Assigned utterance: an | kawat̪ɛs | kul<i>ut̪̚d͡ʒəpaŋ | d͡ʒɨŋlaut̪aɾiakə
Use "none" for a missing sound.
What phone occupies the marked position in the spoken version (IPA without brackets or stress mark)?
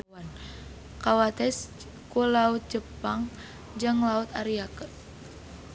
a